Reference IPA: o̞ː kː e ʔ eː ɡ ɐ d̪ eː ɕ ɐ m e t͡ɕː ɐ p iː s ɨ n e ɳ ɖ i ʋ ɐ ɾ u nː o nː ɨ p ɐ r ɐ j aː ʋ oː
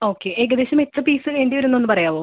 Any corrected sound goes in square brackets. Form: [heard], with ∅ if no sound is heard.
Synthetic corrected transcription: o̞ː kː e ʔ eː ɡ ɐ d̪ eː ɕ ɐ m e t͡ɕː ɐ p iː s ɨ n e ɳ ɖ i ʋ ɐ ɾ u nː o nː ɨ p ɐ r ɐ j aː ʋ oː